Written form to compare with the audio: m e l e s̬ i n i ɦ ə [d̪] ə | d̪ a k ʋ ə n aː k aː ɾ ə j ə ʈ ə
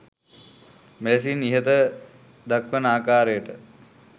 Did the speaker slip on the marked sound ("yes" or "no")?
yes